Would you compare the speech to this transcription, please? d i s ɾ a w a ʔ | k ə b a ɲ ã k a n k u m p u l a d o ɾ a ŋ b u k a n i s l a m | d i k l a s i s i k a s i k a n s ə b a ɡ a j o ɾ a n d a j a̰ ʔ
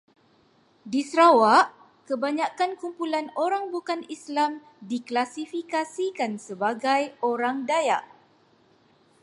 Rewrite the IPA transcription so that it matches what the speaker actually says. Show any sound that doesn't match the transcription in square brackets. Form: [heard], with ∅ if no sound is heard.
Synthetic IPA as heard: d i s ɾ a w a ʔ | k ə b a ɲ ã k a n k u m p u l a [n] o ɾ a ŋ b u k a n i s l a m | d i k l a s i [f] i k a s i k a n s ə b a ɡ a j o ɾ a [ŋ] d a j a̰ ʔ